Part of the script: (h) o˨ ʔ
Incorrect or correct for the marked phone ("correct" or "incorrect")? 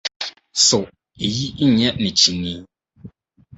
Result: incorrect